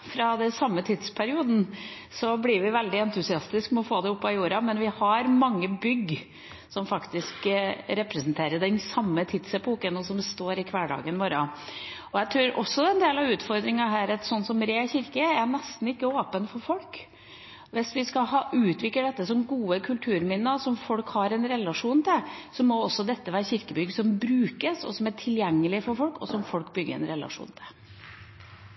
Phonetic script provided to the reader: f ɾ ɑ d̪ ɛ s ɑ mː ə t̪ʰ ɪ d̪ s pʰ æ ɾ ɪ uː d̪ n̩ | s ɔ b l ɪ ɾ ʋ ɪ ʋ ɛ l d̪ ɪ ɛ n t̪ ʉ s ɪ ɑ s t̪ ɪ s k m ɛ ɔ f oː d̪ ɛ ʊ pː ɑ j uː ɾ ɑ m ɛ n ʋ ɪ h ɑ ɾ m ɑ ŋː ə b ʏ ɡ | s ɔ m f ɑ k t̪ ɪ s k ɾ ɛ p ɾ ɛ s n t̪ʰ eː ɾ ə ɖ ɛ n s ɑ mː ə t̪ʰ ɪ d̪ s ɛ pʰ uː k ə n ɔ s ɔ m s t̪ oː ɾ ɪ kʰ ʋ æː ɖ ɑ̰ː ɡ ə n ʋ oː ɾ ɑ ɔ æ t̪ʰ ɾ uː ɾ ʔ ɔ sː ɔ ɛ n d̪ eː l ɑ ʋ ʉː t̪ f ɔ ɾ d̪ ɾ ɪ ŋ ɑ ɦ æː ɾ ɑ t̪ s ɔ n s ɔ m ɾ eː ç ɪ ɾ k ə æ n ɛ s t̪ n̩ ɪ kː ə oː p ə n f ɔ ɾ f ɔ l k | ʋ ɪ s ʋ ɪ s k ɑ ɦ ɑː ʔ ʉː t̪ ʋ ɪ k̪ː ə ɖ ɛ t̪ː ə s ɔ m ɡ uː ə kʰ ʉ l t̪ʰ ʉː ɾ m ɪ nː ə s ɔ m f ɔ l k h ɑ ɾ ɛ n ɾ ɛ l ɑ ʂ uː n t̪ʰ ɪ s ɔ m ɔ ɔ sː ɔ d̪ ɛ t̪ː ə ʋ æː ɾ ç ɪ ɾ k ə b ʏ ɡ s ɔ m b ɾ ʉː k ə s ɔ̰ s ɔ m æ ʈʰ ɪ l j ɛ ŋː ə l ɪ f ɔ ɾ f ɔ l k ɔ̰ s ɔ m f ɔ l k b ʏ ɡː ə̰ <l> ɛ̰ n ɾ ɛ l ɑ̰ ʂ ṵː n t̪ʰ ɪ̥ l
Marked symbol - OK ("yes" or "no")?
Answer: no